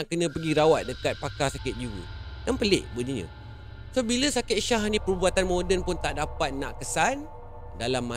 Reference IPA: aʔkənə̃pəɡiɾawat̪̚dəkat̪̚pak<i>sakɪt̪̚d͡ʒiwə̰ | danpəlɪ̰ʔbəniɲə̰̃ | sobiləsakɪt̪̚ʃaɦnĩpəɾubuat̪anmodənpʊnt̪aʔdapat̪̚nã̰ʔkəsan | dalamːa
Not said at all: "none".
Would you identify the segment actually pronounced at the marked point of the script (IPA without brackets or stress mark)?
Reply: a